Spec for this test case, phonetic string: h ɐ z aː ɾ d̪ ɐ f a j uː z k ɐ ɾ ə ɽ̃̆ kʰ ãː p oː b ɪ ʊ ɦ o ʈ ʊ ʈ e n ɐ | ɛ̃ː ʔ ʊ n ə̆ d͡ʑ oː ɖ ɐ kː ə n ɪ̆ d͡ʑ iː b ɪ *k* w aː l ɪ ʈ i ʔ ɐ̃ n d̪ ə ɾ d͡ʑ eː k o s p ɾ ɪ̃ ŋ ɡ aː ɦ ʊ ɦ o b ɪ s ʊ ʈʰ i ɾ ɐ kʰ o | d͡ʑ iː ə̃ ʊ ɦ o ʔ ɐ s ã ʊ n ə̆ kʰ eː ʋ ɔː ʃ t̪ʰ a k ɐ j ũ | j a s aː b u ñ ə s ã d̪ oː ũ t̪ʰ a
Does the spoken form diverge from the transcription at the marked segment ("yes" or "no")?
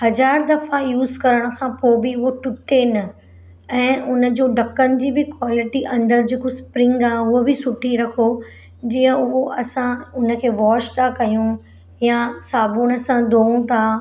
no